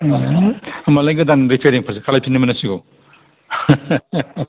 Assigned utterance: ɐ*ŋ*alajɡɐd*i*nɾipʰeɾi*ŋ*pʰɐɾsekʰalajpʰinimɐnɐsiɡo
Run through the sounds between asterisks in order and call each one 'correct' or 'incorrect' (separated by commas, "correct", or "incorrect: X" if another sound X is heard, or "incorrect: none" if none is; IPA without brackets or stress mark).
incorrect: m, incorrect: a, correct